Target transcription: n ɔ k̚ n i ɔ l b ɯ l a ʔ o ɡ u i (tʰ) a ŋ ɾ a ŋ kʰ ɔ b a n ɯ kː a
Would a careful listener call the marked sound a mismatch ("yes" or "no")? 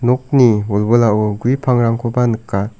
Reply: yes